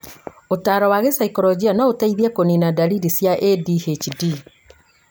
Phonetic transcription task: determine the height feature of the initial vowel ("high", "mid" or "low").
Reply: mid